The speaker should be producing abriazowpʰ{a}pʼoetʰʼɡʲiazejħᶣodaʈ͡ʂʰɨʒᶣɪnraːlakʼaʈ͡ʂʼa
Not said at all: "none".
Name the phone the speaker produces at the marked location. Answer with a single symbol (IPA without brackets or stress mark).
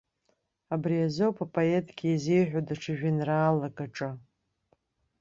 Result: a